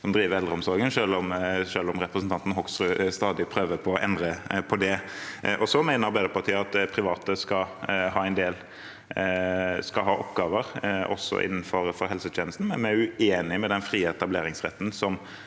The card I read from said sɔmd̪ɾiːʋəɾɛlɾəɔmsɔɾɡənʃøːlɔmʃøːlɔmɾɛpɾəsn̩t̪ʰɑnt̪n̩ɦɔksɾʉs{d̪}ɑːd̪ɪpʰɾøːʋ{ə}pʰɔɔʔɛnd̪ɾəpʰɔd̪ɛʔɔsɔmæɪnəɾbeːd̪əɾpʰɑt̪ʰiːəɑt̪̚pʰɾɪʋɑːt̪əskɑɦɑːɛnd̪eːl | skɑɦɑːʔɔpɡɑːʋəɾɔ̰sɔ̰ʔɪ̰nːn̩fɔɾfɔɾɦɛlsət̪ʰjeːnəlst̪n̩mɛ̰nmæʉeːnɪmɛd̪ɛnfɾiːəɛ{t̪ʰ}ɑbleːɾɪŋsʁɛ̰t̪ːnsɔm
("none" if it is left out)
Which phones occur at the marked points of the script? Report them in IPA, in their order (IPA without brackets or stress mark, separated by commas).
t̪, ə, t̪